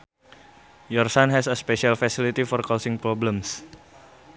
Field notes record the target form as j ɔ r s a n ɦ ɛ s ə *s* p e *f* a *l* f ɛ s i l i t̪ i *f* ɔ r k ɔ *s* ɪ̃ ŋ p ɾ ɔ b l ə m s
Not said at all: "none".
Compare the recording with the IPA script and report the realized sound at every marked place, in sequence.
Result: s, ʃ, l, f, s

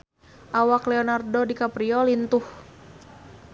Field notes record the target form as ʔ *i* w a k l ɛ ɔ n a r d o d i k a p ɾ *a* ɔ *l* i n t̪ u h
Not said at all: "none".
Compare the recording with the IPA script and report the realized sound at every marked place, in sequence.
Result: a, i, l

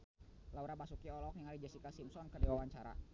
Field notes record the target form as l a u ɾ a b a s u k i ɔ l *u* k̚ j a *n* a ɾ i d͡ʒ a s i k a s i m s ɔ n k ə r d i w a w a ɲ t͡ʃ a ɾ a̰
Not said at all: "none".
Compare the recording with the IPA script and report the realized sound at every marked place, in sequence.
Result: ɔ, ŋ

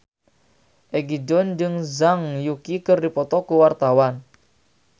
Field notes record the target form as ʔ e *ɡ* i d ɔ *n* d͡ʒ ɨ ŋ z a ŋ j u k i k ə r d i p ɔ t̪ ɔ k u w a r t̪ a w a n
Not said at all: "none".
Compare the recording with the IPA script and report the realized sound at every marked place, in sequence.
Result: ɡ, n

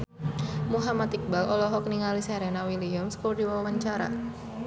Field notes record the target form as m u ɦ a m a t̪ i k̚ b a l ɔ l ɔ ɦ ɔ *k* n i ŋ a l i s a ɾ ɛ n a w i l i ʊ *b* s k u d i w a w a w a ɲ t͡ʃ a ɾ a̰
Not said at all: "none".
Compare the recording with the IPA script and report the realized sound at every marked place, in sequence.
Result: k, m

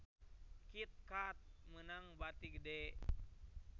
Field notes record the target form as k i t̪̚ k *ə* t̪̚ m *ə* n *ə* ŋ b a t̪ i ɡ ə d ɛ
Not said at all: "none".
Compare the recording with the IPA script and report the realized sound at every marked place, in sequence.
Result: a, ə, a

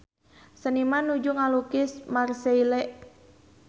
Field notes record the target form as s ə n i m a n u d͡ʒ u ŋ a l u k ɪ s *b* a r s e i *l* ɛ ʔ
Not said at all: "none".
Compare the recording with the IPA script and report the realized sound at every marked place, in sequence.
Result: m, l

